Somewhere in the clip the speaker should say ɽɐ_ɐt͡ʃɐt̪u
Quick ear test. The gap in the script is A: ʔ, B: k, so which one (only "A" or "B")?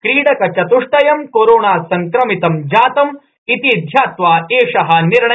B